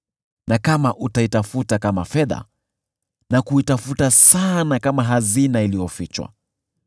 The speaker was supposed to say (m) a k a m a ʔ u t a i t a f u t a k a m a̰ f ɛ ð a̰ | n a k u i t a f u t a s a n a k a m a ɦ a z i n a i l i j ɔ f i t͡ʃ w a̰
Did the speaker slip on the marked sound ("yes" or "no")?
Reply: yes